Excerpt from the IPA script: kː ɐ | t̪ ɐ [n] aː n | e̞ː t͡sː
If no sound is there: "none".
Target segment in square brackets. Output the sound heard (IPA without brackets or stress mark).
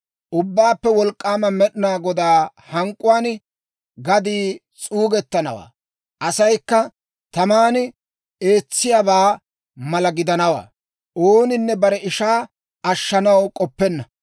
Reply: m